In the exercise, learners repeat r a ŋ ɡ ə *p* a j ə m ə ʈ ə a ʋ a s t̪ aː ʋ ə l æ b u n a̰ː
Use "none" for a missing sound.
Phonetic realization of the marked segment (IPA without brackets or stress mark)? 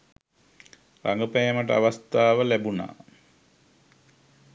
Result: p